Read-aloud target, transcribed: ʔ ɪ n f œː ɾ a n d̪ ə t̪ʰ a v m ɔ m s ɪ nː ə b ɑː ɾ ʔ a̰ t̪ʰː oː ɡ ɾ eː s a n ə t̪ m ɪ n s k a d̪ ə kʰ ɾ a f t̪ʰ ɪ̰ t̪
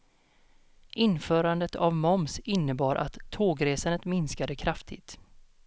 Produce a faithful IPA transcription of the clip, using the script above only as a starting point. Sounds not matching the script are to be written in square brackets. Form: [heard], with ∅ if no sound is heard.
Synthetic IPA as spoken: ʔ ɪ n f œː ɾ a n d̪ ə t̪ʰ a v m ɔ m s ɪ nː ə b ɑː ɾ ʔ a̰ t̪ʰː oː ɡ ɾ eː s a n ə t̪ m ɪ n s k a d̪ ə kʰ ɾ a f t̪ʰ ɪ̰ t̪